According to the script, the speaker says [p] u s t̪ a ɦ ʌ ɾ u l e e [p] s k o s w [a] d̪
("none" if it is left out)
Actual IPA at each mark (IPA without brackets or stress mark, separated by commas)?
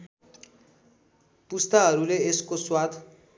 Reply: p, none, a